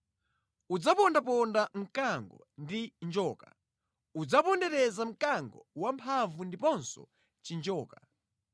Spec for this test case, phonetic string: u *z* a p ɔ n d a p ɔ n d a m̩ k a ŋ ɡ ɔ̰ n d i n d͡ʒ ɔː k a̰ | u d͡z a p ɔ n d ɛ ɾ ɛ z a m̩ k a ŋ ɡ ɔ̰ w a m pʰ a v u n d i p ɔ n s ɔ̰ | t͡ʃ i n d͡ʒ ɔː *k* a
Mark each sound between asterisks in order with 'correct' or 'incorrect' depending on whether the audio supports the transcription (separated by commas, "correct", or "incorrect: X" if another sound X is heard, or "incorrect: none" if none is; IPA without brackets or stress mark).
incorrect: d͡z, correct